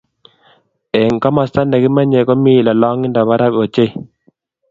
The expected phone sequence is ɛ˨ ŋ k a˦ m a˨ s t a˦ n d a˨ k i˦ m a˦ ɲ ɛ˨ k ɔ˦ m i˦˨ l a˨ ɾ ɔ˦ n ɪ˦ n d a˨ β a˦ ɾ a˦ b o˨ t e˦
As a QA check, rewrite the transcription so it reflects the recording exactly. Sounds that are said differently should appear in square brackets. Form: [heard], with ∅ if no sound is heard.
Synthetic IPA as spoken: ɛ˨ ŋ k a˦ m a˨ s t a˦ n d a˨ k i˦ m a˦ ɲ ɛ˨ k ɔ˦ m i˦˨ l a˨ [l] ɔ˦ [ŋ] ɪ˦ n d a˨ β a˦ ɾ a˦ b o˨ [t͡ʃ] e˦